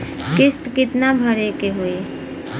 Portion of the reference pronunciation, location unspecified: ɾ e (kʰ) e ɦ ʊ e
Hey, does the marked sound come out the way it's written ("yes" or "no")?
no